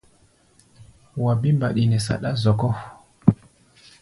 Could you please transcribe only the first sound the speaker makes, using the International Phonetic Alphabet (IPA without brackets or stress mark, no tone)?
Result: w